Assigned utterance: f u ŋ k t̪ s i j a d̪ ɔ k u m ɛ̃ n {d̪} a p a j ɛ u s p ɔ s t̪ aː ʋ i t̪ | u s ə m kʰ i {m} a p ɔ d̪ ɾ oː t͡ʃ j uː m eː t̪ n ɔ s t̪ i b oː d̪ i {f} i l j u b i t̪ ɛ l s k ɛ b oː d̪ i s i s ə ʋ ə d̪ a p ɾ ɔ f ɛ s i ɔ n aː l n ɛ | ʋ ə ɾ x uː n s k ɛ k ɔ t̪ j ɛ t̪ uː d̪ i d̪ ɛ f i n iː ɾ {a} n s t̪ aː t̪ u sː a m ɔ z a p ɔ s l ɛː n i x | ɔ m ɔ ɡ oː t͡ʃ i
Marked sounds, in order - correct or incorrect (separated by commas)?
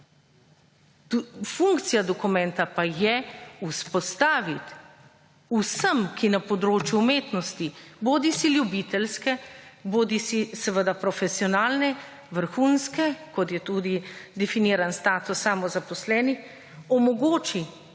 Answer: incorrect, incorrect, incorrect, correct